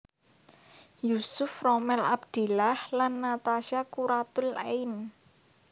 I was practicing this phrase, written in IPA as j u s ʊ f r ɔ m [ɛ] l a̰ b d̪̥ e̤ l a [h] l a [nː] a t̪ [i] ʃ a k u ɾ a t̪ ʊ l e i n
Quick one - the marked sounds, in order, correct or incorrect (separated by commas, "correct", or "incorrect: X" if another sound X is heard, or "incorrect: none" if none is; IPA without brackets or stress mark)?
correct, correct, correct, incorrect: a